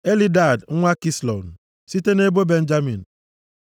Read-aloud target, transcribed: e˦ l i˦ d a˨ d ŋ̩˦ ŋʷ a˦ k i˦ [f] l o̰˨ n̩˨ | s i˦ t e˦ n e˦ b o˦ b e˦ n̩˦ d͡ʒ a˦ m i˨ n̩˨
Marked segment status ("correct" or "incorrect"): incorrect